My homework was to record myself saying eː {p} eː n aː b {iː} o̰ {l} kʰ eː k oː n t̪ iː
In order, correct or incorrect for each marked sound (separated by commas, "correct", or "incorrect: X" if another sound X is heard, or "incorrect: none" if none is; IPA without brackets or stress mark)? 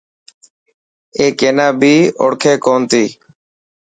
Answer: incorrect: k, correct, incorrect: ɽ